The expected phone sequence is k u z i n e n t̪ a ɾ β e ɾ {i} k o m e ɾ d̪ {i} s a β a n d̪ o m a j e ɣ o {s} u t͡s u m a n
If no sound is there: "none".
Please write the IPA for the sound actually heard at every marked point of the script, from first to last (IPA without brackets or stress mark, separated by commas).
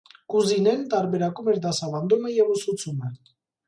a, a, s